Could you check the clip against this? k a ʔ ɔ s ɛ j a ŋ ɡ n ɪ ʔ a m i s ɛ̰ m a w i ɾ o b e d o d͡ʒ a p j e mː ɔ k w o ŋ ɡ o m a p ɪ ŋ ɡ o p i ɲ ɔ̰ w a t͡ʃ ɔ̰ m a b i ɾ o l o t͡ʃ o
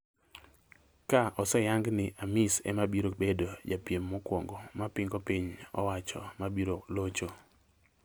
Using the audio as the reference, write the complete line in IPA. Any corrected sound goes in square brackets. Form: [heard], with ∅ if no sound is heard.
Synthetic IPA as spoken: k a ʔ ɔ s ɛ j a ŋ ɡ n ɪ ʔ a m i s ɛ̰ m a [b] i ɾ o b e d o d͡ʒ a p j e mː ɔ k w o ŋ ɡ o m a p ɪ ŋ ɡ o p i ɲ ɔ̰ w a t͡ʃ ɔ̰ m a b i ɾ o l o t͡ʃ o